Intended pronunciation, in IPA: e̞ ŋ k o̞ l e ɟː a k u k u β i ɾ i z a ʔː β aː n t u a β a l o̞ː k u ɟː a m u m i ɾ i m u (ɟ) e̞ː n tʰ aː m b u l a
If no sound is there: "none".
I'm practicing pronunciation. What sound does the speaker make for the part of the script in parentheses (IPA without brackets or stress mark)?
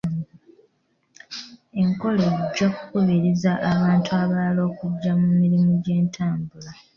ɟ